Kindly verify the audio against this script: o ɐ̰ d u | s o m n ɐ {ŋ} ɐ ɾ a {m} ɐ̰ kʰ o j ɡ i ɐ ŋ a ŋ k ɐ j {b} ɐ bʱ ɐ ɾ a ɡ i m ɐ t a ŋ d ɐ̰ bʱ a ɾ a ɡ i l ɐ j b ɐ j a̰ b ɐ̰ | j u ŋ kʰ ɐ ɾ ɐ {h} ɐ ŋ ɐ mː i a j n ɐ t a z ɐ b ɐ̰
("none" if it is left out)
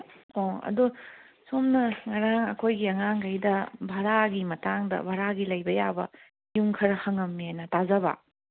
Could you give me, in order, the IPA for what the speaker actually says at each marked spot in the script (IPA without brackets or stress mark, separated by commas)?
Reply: ŋ, ŋ, d, h